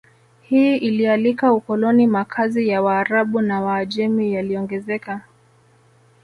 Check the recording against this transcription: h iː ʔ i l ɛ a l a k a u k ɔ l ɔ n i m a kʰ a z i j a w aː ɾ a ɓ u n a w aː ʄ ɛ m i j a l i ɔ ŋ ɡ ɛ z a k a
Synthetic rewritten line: h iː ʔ i l i a l i k a u k ɔ l ɔ n i m a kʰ a z i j a w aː ɾ a ɓ u n a w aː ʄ ɛ m i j a l i ɔ ŋ ɡ ɛ z ɛ k a